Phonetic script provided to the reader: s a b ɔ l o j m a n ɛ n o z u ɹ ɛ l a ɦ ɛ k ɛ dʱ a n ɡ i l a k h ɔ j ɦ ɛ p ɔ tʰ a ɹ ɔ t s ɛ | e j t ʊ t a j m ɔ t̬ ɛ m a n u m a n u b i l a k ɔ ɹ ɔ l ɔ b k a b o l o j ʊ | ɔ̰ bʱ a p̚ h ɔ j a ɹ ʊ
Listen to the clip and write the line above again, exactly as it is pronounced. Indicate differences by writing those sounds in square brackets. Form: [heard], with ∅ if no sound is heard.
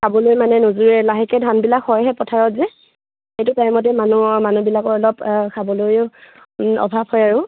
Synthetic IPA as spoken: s a b ɔ l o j m a n ɛ n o z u ɹ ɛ l a ɦ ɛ k ɛ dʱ a n [b] i l a k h ɔ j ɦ ɛ p ɔ tʰ a ɹ ɔ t [z] ɛ | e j t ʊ t a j m ɔ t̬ ɛ m a n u m a n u b i l a k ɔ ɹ ɔ l ɔ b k a b [ɔ] l o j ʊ | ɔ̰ bʱ a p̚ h ɔ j a ɹ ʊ